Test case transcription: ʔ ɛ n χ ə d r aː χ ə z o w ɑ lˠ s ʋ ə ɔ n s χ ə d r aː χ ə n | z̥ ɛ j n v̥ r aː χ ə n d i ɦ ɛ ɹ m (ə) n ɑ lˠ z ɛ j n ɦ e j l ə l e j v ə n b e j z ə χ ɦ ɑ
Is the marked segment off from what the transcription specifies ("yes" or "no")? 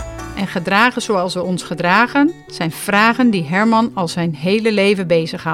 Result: yes